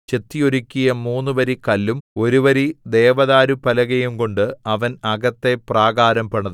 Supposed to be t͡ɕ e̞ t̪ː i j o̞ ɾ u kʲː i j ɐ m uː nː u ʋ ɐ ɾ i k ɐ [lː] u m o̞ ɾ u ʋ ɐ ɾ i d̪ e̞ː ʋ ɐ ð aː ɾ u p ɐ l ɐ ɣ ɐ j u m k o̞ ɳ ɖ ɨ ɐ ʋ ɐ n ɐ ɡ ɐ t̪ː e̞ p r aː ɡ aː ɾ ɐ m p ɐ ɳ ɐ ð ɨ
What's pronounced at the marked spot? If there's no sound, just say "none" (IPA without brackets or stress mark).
lː